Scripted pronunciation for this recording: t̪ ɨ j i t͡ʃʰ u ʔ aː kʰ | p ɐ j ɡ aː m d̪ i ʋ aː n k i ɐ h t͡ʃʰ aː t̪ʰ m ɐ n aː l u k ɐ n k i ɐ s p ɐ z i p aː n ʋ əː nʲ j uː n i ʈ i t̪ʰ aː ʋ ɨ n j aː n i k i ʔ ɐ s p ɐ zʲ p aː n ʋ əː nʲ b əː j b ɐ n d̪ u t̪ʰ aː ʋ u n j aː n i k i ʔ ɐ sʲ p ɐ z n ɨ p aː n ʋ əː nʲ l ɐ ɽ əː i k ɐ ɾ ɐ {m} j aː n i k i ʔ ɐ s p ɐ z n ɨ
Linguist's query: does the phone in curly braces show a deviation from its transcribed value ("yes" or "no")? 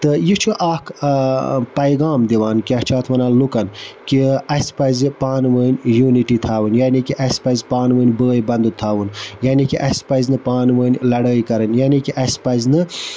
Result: yes